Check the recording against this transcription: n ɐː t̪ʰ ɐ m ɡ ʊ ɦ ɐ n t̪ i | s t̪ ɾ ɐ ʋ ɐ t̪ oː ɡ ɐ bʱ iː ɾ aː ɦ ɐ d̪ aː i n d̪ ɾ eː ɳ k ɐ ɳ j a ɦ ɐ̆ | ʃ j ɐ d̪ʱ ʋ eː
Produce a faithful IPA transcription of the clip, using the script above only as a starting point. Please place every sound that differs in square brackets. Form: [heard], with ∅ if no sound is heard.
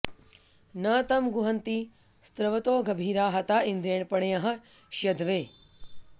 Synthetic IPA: n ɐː [t̪] ɐ m ɡ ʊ ɦ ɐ n t̪ i | s t̪ ɾ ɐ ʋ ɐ t̪ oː ɡ ɐ bʱ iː ɾ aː ɦ ɐ [t̪] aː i n d̪ ɾ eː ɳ [p] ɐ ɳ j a ɦ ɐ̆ | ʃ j ɐ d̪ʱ ʋ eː